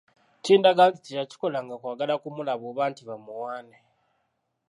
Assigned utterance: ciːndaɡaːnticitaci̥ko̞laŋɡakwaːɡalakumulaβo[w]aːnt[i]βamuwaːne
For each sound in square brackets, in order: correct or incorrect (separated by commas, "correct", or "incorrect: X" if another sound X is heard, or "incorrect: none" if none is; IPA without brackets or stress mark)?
incorrect: β, correct